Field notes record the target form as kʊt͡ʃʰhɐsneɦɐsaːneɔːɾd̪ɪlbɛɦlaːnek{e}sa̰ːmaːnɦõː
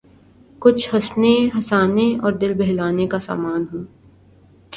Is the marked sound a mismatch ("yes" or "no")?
yes